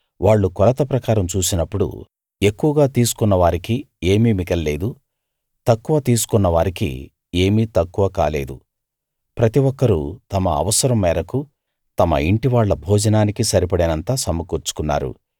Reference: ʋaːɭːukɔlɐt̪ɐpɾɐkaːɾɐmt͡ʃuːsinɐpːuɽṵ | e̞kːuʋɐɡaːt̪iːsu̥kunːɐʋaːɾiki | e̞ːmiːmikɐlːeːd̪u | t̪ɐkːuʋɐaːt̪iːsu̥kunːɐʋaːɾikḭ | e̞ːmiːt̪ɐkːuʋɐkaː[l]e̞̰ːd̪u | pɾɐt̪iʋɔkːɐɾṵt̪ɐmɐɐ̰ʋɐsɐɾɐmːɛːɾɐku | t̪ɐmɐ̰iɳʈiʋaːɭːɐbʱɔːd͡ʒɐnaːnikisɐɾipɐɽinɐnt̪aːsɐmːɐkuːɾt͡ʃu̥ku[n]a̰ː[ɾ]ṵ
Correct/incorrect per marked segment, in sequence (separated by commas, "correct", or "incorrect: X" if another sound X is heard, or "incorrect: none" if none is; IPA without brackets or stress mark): correct, incorrect: nː, correct